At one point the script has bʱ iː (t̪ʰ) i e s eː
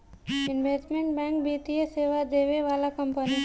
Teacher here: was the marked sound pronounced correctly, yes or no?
no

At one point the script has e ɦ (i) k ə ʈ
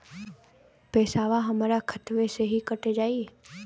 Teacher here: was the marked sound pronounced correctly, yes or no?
yes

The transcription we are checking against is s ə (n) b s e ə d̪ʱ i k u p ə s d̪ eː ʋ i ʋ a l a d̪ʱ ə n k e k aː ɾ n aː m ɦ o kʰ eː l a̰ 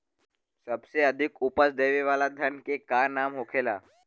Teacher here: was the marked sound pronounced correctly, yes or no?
no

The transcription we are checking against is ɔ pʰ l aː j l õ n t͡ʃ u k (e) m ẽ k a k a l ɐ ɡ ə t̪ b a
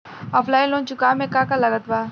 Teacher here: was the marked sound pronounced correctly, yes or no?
no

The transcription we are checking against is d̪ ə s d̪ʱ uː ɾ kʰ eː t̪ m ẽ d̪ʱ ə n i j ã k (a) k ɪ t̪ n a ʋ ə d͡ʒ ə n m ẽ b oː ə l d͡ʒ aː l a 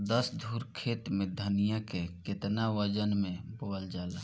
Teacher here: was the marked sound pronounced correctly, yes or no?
no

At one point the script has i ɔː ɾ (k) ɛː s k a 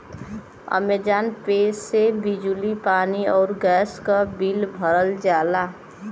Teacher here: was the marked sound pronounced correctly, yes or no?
no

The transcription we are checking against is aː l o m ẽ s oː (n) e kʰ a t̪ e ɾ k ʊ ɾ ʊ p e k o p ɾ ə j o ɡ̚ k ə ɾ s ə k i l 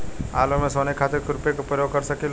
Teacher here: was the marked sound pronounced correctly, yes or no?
yes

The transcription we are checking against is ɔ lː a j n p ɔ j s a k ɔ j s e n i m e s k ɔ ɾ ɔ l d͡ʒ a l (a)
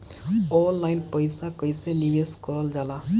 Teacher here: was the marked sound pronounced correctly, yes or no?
yes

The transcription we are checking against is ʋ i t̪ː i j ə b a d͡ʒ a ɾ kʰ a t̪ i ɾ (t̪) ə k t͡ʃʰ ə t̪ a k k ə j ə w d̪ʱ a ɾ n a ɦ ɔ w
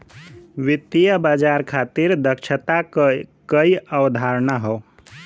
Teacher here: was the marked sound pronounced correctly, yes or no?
no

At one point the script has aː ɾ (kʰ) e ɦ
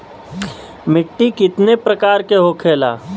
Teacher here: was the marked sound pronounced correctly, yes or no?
no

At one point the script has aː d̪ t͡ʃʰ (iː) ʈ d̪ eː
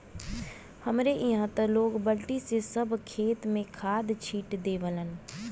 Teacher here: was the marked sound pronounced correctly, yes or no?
yes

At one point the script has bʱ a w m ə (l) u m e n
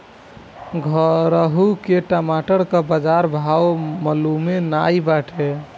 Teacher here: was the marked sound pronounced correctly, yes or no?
yes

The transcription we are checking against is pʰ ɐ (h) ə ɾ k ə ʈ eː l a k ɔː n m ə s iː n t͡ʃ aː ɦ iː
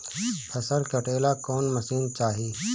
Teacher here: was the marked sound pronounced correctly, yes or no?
no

